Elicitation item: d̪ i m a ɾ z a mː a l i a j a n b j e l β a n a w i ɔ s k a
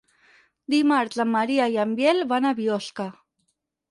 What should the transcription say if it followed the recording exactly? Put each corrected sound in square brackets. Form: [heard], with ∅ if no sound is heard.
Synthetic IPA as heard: d̪ i m a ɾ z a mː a [ɾ] i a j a [m] b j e l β a n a [β] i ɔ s k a